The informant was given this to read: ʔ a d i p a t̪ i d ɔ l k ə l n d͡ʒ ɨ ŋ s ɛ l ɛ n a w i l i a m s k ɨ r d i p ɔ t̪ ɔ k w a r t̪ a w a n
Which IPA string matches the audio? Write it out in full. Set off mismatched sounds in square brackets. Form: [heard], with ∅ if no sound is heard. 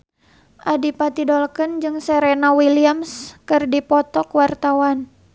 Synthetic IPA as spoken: ʔ a d i p a t̪ i d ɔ l k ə [∅] n d͡ʒ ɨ ŋ s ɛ [ɾ] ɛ n a w i l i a m s k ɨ r d i p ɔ t̪ ɔ k w a r t̪ a w a n